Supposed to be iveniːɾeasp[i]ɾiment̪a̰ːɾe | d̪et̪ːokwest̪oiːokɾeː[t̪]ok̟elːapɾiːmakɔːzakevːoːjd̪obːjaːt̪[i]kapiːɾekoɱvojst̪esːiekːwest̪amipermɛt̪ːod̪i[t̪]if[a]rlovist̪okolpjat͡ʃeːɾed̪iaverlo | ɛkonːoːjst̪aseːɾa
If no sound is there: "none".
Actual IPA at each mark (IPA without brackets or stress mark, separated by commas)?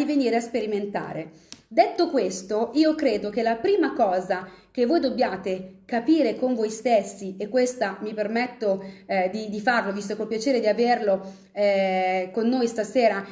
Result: e, d̪, e, d̪, a